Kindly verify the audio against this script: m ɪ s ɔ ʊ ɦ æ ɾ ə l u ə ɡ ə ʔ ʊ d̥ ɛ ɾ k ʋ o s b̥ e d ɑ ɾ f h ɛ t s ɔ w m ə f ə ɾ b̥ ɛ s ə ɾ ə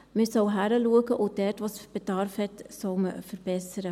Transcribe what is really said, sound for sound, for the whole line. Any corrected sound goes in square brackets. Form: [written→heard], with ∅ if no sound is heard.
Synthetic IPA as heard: m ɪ s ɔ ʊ ɦ æ ɾ ə l u ə ɡ ə ʔ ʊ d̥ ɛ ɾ [k→t] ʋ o s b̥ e d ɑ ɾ f h ɛ t s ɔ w m ə f ə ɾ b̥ ɛ s ə ɾ ə